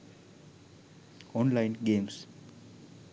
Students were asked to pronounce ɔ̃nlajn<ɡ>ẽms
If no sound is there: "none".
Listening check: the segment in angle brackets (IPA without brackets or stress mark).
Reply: ɡ